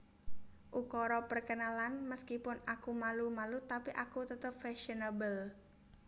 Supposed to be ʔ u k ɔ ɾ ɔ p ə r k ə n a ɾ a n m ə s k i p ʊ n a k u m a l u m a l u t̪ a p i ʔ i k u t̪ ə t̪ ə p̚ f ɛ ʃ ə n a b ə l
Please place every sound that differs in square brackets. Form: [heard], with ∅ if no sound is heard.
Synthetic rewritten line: ʔ u k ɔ ɾ ɔ p ə r k ə n a [l] a n m ə s k i p ʊ n a k u m a l u m a l u t̪ a p i ʔ [a] k u t̪ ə t̪ ə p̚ f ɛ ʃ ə n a b ə l